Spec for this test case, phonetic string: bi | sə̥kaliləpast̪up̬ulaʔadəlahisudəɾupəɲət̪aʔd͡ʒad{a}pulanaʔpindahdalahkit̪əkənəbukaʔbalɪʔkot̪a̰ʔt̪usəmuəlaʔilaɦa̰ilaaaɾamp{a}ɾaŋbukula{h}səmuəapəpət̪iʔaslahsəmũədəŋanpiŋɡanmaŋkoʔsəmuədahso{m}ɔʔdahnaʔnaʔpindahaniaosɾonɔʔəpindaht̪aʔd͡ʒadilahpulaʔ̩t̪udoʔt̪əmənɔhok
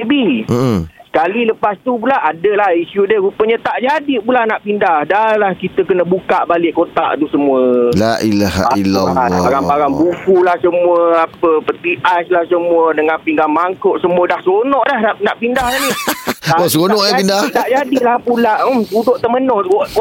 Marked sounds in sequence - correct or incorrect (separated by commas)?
incorrect, correct, correct, incorrect